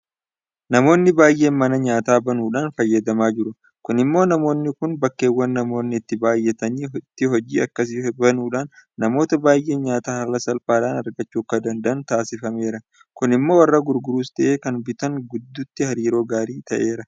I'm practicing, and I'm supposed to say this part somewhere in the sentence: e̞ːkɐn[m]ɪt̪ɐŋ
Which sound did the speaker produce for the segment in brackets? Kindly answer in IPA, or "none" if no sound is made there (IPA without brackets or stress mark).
b